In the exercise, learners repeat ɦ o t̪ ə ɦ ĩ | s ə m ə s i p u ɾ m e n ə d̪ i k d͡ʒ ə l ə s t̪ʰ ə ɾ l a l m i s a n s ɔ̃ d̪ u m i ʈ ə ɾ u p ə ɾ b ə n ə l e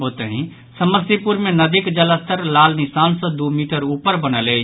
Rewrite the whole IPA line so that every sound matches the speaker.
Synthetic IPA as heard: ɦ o t̪ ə ɦ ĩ | s ə m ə s i p u ɾ m e n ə d̪ i k d͡ʒ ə l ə s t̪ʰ ə ɾ l a l n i s a n s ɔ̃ d̪ u m i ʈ ə ɾ u p ə ɾ b ə n ə l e